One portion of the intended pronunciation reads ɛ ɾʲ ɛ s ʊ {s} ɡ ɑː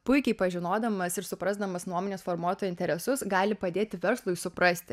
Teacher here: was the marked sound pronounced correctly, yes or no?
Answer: yes